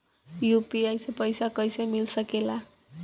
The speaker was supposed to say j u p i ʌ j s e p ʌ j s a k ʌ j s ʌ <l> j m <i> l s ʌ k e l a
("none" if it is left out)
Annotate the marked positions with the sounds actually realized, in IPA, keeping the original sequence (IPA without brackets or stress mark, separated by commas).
none, i